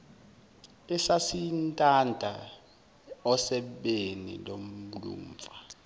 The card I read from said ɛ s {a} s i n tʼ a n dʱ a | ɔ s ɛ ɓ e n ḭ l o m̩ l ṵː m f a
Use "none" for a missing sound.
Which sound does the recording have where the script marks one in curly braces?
a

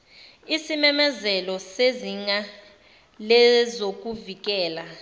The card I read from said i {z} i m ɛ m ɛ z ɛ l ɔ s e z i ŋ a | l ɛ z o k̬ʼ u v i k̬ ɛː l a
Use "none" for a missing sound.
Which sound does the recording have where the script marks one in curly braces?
s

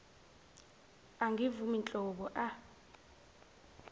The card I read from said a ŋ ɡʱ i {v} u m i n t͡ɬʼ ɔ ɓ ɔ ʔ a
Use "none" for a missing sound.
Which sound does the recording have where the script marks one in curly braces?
v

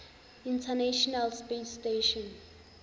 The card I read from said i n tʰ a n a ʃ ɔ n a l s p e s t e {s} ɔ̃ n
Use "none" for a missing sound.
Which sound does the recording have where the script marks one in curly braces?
ʃ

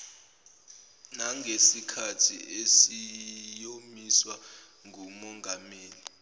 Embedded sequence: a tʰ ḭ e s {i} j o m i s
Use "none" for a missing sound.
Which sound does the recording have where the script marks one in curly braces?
i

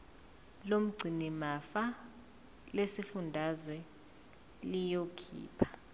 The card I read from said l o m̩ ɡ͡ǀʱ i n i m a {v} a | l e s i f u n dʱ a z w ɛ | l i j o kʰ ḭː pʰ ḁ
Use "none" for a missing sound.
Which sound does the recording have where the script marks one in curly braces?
f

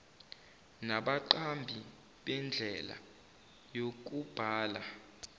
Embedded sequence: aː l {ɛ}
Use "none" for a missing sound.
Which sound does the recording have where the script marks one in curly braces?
a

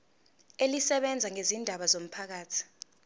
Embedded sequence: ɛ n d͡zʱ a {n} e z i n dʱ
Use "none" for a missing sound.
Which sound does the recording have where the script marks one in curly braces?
ŋ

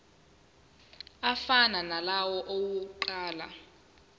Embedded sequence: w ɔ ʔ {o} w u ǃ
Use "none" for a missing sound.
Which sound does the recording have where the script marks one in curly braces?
o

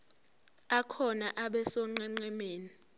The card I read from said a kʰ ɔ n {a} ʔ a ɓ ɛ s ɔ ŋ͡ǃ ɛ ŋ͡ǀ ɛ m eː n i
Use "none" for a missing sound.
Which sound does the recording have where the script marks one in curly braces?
a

